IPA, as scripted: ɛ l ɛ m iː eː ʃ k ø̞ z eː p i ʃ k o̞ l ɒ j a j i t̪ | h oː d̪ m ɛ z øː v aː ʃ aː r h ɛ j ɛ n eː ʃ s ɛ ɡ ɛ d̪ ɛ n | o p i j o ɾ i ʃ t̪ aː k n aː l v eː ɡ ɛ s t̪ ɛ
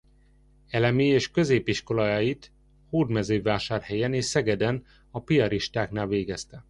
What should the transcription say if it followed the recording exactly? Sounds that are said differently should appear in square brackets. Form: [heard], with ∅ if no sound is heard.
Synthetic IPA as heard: ɛ l ɛ m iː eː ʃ k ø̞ z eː p i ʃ k o̞ l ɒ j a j i t̪ | h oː d̪ m ɛ z øː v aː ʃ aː r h ɛ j ɛ n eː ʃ s ɛ ɡ ɛ d̪ ɛ n | [ɒ] p i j [ɒ] ɾ i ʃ t̪ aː k n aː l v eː ɡ ɛ s t̪ ɛ